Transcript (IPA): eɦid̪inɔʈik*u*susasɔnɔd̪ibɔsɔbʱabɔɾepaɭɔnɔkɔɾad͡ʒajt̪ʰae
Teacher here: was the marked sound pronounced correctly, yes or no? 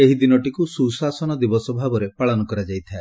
yes